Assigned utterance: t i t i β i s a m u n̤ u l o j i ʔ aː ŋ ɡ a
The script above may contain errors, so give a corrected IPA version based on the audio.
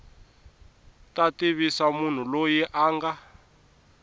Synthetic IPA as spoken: t a t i β i s a m u n̤ u l o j i ʔ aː ŋ ɡ a

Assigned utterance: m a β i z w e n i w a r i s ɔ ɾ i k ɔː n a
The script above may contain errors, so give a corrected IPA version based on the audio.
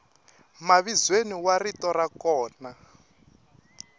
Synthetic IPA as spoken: m a β i z w e n i w a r i t ɔ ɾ a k ɔː n a

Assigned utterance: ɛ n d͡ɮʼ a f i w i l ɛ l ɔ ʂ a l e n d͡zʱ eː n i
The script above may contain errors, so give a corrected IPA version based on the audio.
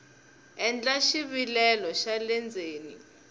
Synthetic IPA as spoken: ɛ n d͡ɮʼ a ʃ i β i l ɛ l ɔ ʃ a l ɛ n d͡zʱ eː n i

